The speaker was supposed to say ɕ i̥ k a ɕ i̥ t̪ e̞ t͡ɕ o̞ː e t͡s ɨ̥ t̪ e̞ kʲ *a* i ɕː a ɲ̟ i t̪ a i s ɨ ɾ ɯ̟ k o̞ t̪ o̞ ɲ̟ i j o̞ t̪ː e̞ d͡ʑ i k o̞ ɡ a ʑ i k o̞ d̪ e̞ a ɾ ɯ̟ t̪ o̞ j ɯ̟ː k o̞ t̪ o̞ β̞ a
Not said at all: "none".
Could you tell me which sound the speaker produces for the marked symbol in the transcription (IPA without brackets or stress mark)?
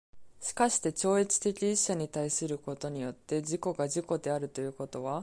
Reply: i